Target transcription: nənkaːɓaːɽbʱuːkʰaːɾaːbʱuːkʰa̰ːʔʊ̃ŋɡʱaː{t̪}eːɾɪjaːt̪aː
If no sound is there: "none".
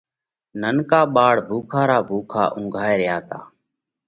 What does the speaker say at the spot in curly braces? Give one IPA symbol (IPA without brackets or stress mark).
none